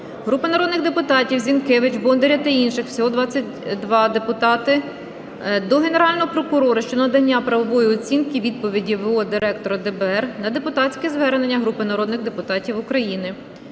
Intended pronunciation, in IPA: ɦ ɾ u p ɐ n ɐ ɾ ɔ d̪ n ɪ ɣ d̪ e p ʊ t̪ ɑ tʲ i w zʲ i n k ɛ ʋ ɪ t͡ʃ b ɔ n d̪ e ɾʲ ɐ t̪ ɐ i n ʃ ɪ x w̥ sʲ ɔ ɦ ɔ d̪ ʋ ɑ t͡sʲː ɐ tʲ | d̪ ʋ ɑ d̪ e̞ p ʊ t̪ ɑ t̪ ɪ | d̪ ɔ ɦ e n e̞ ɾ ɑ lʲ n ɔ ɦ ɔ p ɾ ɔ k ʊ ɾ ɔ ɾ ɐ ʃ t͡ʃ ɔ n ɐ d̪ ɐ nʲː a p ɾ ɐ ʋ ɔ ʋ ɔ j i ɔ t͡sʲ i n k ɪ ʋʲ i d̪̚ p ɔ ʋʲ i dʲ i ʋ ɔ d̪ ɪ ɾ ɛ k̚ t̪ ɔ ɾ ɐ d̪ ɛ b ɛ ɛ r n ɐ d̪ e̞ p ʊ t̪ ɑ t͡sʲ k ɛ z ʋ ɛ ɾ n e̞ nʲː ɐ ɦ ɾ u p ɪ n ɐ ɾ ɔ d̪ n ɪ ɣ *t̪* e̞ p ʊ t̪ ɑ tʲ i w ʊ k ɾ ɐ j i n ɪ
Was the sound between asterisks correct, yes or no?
no